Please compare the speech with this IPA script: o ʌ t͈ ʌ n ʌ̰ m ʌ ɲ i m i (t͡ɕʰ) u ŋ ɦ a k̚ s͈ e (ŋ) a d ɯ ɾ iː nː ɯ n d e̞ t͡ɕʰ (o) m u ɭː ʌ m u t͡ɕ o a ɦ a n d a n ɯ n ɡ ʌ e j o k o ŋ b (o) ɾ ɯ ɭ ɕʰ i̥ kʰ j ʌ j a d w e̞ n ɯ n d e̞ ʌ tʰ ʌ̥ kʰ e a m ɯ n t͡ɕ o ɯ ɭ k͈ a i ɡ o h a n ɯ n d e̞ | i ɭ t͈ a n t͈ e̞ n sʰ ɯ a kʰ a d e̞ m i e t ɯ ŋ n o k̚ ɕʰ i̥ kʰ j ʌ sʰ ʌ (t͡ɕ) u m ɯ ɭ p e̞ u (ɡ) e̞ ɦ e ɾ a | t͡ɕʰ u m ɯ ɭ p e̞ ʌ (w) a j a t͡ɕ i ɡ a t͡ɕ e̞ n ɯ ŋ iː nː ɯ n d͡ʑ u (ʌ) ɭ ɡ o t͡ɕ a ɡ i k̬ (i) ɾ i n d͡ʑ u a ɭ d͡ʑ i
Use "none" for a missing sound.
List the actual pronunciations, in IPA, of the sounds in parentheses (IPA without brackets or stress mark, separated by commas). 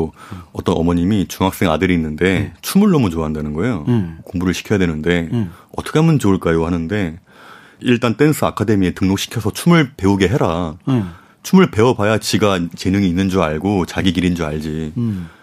t͡ɕ, ŋ, u, u, t͡ɕʰ, ɡ, b, a, i